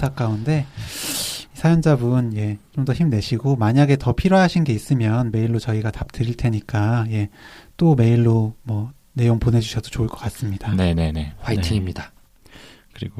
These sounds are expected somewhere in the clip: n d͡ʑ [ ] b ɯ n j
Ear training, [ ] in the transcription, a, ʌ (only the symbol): a